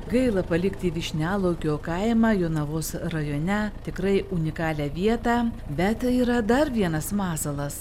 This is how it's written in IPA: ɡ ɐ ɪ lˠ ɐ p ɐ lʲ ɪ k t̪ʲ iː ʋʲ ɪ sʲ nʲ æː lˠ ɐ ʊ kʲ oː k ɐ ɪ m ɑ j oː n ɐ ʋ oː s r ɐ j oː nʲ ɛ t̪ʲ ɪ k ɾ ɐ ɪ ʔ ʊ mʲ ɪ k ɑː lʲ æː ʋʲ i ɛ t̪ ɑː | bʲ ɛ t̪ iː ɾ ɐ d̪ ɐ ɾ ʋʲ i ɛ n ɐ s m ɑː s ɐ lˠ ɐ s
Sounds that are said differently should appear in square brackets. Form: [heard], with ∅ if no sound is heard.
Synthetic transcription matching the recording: ɡ ɐ ɪ lˠ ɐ p ɐ lʲ ɪ k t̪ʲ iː ʋʲ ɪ [ʃʲ] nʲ æː lˠ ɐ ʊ kʲ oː k ɐ ɪ m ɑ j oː n ɐ ʋ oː s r ɐ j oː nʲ ɛ t̪ʲ ɪ k ɾ ɐ ɪ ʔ ʊ [nʲ] ɪ k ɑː lʲ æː ʋʲ i ɛ t̪ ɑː | bʲ ɛ t̪ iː ɾ ɐ d̪ ɐ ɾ ʋʲ i ɛ n ɐ s m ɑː s ɐ lˠ ɐ s